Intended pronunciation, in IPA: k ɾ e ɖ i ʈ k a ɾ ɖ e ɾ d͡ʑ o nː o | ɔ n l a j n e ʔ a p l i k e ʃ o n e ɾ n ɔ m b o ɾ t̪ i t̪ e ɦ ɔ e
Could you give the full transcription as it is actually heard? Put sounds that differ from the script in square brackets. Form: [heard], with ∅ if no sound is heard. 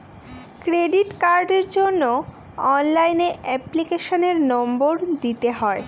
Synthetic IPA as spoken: k ɾ e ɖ i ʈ k a ɾ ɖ e ɾ d͡ʑ o nː o | ɔ n l a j n e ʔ [ɛ] p l i k e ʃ o n e ɾ n ɔ m b o ɾ [d̪] i t̪ e ɦ ɔ e